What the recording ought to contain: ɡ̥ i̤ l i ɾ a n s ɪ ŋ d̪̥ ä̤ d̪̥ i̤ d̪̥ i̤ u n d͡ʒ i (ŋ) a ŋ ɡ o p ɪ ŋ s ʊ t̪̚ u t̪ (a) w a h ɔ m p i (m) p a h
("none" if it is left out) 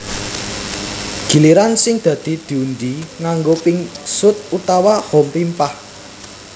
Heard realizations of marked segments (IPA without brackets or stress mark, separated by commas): ŋ, a, m